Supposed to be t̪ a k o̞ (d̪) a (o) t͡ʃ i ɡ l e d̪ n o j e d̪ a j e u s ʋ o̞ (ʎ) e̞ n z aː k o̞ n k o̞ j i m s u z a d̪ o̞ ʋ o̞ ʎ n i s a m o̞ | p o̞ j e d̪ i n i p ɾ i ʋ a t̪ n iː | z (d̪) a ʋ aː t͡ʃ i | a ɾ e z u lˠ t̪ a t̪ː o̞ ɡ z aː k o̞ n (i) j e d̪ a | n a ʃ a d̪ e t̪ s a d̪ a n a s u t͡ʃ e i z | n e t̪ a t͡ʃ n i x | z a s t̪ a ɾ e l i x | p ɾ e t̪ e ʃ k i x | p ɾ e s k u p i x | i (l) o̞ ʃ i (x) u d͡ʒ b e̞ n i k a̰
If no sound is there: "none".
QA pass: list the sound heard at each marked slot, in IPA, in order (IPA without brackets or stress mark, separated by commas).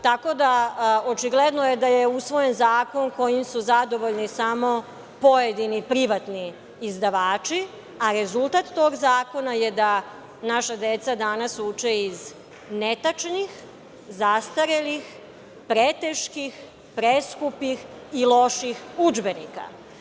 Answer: d̪, o, j, d̪, a, l, x